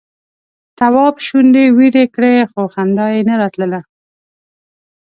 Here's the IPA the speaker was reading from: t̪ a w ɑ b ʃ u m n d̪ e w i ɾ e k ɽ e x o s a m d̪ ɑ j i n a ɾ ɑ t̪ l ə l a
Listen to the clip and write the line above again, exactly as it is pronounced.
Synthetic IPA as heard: t̪ a w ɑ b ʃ u n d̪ e w i ɾ e k ɽ e x o x a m d̪ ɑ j e n a ɾ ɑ t̪ l ə l a

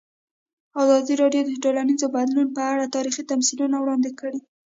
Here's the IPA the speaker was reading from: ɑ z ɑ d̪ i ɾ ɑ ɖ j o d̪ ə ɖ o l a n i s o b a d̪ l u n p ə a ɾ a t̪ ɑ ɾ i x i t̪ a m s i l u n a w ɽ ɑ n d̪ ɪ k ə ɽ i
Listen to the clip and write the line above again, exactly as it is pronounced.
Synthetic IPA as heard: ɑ z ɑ d̪ i ɾ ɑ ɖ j o d̪ ə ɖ o l a n i z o b a d̪ l u n p ə a ɽ a t̪ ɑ ɾ i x i t̪ a m s i l u n a w ɽ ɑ n d̪ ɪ k ə ɽ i

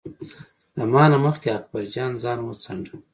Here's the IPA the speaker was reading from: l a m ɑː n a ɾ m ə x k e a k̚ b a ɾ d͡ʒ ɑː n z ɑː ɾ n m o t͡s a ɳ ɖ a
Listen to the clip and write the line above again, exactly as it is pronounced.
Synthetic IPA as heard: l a m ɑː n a m ə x k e a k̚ b a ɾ d͡ʒ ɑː n z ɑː n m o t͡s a ɳ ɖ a

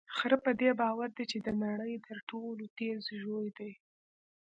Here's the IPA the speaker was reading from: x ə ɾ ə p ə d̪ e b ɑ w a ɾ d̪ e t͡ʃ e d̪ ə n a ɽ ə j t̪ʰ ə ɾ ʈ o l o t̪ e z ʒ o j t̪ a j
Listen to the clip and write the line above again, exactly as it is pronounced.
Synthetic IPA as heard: x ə ɾ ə p ə d̪ e b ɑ w a ɾ d̪ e t͡ʃ e d̪ ə n a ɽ ə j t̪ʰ ə ɾ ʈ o l o t̪ e z ʒ o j d̪ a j

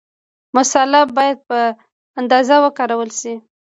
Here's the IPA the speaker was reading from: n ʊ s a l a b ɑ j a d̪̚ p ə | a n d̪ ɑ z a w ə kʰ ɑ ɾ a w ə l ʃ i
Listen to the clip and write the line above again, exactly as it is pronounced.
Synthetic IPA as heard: m ʊ s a l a b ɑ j a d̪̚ p ə | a n d̪ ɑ z a w ə k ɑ ɾ a w ə l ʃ i

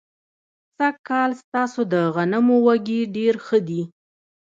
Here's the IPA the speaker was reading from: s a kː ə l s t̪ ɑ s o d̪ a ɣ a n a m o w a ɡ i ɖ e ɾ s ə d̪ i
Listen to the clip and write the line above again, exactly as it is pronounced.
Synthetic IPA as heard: s a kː ɑ l s t̪ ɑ s o d̪ ə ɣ a n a m o w a ɡ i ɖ e ɾ x ə d̪ i

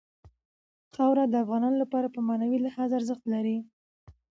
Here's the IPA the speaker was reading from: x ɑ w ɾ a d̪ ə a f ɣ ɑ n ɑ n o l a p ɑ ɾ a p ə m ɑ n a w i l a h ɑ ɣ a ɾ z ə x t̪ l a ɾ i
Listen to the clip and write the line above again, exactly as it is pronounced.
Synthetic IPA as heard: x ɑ w ɾ a d̪ ə a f ɣ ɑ n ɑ n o l a p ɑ ɾ a p ə m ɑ n a w i l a h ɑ z a ɾ z ə x t̪ l a ɾ i

